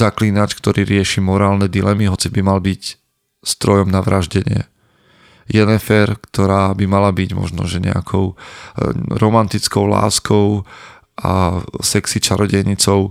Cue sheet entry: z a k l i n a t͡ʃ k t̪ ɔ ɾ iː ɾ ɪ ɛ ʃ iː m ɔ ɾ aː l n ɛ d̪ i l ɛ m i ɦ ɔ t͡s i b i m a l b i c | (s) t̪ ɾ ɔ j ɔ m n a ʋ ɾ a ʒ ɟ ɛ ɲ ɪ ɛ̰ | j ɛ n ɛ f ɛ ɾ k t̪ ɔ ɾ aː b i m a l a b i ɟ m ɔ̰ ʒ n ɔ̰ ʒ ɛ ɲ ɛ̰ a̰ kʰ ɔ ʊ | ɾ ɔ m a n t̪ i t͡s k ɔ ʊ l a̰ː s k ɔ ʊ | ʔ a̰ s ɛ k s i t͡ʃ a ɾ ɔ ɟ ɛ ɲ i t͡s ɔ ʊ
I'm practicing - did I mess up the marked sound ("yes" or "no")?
no